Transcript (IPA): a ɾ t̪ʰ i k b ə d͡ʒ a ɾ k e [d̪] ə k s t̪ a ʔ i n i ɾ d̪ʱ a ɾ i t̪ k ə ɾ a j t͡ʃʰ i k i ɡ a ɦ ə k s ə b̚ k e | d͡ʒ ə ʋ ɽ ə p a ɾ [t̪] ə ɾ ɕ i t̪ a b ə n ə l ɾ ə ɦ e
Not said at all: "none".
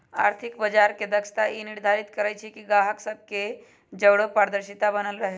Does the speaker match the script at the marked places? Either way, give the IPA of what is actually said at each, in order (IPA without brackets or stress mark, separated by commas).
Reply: d̪, d̪